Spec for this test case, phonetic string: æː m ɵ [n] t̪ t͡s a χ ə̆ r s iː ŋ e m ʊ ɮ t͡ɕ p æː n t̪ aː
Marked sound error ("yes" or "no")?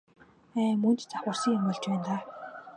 no